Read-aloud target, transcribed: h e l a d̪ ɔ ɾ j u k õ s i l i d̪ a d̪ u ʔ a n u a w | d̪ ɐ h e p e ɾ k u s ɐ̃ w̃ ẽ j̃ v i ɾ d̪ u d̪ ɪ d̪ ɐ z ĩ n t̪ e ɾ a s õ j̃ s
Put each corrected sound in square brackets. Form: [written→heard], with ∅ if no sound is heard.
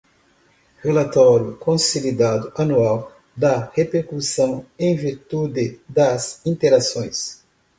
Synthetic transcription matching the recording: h e l a [d̪→t̪] ɔ ɾ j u k õ s i l i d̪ a d̪ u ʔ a n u a w | d̪ ɐ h e p e ɾ k u s ɐ̃ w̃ ẽ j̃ v i ɾ [d̪→t̪] u d̪ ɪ d̪ ɐ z ĩ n t̪ e ɾ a s õ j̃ s